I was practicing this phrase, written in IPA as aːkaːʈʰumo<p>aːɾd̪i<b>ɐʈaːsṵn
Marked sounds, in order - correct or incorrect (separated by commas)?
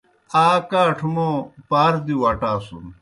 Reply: correct, incorrect